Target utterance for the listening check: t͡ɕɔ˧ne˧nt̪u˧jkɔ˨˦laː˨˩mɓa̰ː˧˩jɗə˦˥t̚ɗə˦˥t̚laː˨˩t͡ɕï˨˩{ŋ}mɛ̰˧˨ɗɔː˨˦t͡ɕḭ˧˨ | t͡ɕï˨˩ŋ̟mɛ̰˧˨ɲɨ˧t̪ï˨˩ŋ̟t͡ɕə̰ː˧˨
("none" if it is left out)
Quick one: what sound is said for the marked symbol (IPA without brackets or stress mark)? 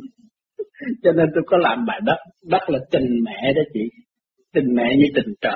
ŋ